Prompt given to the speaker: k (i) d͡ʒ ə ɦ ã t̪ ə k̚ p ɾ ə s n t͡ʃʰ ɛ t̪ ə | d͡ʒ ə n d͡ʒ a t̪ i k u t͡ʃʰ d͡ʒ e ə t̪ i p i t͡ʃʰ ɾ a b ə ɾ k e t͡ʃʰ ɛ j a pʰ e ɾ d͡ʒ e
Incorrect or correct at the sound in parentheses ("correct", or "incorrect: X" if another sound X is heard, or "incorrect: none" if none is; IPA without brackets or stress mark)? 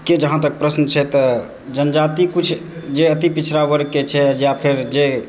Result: incorrect: e